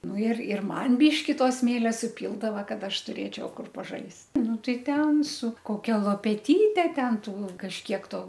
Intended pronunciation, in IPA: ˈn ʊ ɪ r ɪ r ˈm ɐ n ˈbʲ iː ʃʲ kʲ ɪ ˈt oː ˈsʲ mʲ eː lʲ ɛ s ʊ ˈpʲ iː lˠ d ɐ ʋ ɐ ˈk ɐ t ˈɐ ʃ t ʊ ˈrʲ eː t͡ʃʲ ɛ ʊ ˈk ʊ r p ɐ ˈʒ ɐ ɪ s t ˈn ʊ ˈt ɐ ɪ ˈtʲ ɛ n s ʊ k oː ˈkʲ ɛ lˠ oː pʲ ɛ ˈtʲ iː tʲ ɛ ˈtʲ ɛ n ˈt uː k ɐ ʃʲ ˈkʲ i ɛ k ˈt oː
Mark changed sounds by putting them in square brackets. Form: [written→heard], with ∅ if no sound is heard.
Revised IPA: ˈn ʊ ɪ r ɪ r ˈm ɐ n ˈbʲ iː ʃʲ kʲ ɪ ˈt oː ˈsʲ mʲ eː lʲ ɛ s ʊ ˈpʲ iː lˠ d ɐ ʋ ɐ ˈk ɐ t ˈɐ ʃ t ʊ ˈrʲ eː t͡ʃʲ ɛ ʊ ˈk ʊ r p ɐ ˈʒ ɐ ɪ s t ˈn ʊ ˈt ɐ ɪ ˈtʲ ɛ n s ʊ k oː ˈkʲ ɛ lˠ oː pʲ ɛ ˈtʲ iː tʲ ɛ ˈtʲ ɛ n ˈt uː k ɐ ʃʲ ˈkʲ i ɛ k ˈt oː